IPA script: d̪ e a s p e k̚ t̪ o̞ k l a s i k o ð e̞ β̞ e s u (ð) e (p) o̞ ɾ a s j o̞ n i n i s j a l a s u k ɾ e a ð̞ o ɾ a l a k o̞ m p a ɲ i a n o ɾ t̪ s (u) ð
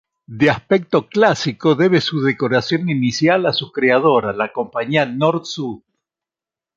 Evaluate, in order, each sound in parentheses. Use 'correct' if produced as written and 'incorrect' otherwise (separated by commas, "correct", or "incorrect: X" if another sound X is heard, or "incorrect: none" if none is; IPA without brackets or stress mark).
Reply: correct, incorrect: k, correct